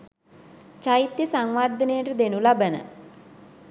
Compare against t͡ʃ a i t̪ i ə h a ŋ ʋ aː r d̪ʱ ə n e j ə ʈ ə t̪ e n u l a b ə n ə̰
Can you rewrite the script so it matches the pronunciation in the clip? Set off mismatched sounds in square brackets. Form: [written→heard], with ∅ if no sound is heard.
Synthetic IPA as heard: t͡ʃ a i t̪ [i→j] ə [h→s] a ŋ ʋ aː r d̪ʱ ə n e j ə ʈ ə [t̪→d̪] e n u l a b ə n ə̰

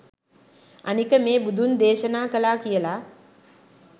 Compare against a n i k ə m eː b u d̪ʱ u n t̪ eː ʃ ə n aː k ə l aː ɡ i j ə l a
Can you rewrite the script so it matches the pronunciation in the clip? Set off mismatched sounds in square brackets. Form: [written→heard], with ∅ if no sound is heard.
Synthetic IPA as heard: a n i k ə m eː b u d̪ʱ u n [t̪→d̪] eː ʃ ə n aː k ə l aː [ɡ→k] i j ə l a

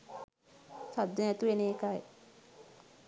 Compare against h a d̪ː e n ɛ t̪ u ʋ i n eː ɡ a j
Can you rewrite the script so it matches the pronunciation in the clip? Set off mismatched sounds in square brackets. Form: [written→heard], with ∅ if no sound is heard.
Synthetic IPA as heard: [h→s] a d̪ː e n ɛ t̪ u ʋ [i→e] n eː [ɡ→k] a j

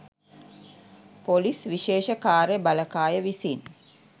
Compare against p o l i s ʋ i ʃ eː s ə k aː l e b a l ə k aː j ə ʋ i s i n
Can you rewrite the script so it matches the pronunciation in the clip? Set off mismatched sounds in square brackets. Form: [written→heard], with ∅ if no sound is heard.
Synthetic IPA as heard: p o l i s ʋ i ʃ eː [s→ʃ] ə k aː [l→ɾ] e b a l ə k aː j ə ʋ i s i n

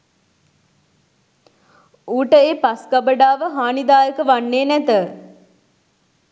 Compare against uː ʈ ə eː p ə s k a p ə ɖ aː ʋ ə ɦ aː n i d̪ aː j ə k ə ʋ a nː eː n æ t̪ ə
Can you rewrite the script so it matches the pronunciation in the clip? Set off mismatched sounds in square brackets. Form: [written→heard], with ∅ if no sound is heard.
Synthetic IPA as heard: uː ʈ ə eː p [ə→a] s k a [p→b] ə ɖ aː ʋ ə ɦ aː n i d̪ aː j ə k ə ʋ a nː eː n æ t̪ ə

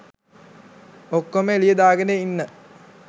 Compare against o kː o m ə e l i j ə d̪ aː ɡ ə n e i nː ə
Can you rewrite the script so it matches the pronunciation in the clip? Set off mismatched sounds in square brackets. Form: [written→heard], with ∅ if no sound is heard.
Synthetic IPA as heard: o kː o m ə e l i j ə d̪ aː ɡ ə n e i nː ə

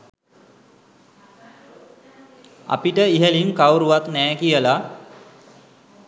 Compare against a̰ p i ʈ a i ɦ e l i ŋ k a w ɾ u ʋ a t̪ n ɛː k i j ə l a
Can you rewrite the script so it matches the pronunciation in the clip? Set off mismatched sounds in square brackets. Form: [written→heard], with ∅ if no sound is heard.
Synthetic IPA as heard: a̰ p i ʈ [a→ə] i ɦ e l i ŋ k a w ɾ u ʋ a t̪ n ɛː k i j ə l a

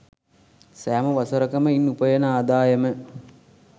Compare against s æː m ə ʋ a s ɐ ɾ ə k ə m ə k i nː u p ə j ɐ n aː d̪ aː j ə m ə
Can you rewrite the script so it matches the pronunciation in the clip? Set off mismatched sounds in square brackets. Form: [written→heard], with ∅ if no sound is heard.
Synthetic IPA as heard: s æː m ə ʋ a s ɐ ɾ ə k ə m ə [k→∅] i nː u p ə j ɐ n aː d̪ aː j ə m ə

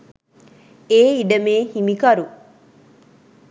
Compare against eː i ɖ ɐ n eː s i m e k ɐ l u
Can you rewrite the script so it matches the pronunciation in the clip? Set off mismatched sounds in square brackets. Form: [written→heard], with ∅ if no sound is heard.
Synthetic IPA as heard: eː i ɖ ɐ [n→m] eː [s→h] i m [e→i] k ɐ [l→ɾ] u

